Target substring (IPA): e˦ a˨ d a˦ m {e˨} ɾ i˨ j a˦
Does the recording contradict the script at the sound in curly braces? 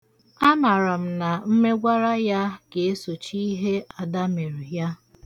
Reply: no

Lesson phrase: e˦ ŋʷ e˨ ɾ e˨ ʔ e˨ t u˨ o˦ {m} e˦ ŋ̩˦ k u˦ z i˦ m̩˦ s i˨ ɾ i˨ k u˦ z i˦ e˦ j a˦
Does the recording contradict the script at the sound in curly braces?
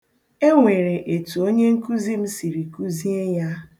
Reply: yes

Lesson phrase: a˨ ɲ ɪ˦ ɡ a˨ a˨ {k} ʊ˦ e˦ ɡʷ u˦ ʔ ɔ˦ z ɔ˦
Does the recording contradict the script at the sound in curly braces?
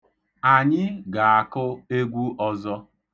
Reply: no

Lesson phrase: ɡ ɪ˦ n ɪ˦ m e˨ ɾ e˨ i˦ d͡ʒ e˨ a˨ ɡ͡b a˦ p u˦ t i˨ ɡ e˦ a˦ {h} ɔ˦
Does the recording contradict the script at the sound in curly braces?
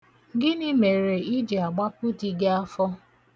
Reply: yes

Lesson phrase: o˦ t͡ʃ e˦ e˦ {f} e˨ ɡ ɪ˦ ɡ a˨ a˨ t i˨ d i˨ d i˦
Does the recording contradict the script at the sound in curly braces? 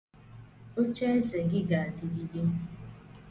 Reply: yes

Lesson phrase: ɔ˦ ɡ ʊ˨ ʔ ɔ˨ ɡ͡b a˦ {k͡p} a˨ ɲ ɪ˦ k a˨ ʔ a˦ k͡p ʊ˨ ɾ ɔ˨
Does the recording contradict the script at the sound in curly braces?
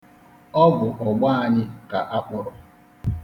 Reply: yes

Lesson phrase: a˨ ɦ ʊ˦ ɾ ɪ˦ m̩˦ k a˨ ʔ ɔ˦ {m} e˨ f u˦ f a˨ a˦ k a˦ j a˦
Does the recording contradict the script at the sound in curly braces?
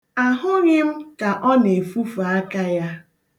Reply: yes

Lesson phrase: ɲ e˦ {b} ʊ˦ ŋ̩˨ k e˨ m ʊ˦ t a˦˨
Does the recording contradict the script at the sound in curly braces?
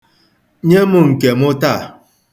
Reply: yes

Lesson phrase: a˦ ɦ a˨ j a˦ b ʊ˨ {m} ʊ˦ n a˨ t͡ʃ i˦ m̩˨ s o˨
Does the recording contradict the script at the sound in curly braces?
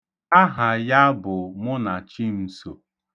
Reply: no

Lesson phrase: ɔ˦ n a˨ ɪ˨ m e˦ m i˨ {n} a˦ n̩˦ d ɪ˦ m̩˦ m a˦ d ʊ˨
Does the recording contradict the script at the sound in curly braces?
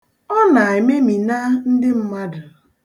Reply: no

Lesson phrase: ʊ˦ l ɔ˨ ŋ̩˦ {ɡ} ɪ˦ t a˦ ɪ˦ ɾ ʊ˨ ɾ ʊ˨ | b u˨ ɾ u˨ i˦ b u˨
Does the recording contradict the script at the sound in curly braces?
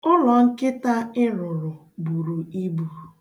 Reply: yes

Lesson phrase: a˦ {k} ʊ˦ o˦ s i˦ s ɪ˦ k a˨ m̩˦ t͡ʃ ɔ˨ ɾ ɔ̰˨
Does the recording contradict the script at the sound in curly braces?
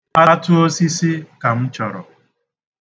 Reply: yes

